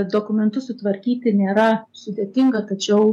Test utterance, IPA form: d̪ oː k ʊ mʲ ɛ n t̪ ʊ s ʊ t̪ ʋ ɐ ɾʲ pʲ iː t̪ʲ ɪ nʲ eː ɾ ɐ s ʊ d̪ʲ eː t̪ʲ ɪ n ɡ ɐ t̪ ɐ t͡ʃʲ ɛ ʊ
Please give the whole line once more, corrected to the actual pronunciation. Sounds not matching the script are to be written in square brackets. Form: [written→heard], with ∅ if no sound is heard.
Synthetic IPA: d̪ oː k ʊ mʲ ɛ n t̪ ʊ s ʊ t̪ ʋ ɐ ɾʲ [pʲ→kʲ] iː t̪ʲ ɪ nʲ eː ɾ ɐ s ʊ d̪ʲ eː t̪ʲ ɪ [n→ŋ] ɡ ɐ t̪ ɐ t͡ʃʲ ɛ ʊ